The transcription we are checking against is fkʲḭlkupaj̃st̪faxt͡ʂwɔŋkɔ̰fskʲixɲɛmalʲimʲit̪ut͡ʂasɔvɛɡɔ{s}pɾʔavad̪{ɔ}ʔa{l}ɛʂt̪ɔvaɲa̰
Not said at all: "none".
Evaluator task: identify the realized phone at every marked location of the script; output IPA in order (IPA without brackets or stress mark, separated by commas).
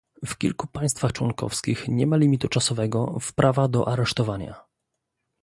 f, ɔ, ɾ